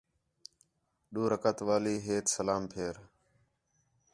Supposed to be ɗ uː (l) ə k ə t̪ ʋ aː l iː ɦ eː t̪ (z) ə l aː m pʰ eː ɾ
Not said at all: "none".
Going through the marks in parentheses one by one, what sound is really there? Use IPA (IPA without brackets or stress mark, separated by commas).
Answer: ɾ, s